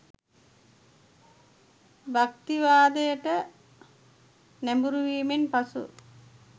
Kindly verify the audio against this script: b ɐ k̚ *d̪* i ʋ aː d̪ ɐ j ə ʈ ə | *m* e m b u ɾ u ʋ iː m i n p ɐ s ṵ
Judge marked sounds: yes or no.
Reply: no, no

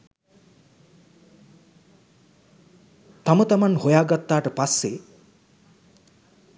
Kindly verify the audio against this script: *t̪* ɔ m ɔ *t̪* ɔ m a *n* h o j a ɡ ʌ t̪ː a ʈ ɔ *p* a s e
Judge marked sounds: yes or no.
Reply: yes, yes, yes, yes

